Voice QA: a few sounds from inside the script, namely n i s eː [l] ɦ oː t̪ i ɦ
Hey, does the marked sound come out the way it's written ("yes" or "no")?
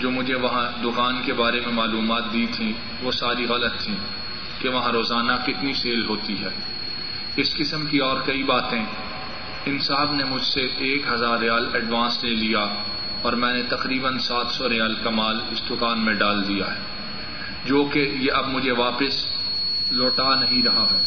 yes